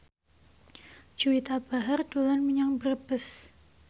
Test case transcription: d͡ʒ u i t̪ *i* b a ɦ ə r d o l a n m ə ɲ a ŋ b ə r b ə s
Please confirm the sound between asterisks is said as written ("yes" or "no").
no